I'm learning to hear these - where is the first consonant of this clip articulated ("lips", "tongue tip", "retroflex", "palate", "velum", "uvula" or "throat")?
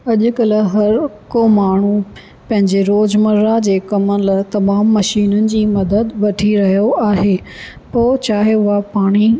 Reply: palate